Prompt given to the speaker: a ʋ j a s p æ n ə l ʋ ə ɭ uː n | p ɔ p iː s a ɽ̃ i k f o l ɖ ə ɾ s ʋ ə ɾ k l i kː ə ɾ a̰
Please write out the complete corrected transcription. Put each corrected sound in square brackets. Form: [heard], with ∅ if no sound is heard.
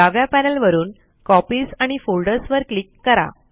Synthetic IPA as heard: a ʋ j a [∅] p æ n ə l ʋ ə [ɾ] uː n | [k] ɔ p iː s a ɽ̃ i [∅] f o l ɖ ə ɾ s ʋ ə ɾ k l i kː ə ɾ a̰